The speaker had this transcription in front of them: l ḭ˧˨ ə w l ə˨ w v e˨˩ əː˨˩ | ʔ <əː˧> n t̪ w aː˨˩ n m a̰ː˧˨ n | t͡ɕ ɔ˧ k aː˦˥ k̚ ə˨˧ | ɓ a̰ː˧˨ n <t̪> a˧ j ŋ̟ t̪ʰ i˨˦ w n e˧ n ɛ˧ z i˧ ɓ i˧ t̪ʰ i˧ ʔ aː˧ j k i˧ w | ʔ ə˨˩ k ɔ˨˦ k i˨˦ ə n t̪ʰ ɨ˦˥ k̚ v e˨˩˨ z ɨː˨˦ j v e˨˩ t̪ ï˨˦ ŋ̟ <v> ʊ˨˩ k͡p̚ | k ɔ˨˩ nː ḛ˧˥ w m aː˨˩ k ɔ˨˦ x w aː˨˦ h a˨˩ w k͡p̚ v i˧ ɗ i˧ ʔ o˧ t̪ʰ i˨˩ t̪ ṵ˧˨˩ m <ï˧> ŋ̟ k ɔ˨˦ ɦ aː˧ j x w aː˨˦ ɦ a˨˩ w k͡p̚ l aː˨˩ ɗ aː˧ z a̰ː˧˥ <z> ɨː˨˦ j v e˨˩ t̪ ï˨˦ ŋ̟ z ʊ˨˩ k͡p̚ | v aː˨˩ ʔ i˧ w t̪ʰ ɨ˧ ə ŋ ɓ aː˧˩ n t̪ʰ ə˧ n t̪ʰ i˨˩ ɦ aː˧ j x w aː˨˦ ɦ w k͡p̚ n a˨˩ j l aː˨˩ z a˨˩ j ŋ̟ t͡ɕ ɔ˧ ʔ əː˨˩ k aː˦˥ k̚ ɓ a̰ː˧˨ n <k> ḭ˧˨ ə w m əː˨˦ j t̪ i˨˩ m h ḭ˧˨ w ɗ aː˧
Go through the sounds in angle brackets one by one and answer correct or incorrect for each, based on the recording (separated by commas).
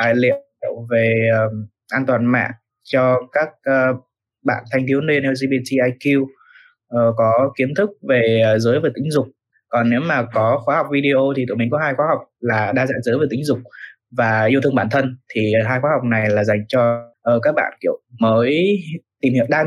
incorrect, incorrect, incorrect, incorrect, correct, correct